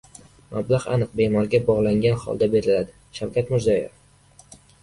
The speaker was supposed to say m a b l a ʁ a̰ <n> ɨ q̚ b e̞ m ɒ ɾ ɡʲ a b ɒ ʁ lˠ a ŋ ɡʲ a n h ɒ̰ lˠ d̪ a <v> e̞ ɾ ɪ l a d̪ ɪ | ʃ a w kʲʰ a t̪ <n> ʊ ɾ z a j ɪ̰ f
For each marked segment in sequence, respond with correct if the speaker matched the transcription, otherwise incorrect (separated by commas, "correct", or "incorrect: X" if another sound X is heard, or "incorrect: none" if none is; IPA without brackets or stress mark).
correct, incorrect: b, incorrect: m